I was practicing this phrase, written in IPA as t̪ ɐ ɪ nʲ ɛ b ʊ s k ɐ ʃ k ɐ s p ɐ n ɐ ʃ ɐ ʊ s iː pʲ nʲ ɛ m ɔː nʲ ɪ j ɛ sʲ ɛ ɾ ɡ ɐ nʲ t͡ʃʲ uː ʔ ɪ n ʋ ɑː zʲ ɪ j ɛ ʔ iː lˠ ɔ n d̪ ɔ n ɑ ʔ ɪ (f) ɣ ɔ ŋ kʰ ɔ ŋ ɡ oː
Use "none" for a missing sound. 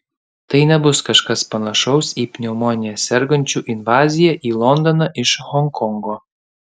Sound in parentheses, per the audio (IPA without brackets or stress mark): ʃ